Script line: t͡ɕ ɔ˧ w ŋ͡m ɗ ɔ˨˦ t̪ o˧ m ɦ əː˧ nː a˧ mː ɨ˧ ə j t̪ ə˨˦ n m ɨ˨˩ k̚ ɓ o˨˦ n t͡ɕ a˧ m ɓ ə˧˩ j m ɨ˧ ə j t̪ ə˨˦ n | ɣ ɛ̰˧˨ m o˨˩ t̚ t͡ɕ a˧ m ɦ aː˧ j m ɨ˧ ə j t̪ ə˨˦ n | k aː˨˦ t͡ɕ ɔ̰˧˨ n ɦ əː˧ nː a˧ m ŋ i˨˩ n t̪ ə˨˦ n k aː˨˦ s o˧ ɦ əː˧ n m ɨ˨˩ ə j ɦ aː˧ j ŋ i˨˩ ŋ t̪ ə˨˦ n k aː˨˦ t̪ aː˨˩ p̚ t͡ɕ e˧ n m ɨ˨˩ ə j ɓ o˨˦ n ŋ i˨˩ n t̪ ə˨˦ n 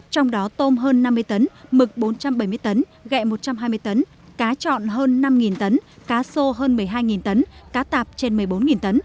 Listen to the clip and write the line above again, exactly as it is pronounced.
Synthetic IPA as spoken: t͡ɕ ɔ˧ w ŋ͡m ɗ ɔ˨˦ t̪ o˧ m ɦ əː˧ nː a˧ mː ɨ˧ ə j t̪ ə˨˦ n m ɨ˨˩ k̚ ɓ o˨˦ n t͡ɕ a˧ m ɓ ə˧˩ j m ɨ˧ ə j t̪ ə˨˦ n | ɣ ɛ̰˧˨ m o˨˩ t̚ t͡ɕ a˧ m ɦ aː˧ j m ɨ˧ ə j t̪ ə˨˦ n | k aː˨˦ t͡ɕ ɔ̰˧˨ n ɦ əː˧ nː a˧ m ŋ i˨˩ n t̪ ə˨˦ n k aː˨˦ s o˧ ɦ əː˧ n m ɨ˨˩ ə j ɦ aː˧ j ŋ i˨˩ n t̪ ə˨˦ n k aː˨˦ t̪ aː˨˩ p̚ t͡ɕ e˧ n m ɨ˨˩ ə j ɓ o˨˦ n ŋ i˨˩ n t̪ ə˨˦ n